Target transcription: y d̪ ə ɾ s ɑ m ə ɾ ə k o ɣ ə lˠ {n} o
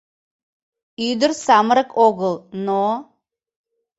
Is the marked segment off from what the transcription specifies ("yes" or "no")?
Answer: no